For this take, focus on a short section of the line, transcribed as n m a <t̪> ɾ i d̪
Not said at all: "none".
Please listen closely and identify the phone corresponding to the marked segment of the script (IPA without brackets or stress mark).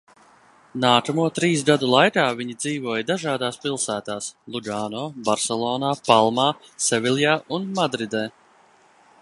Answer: d̪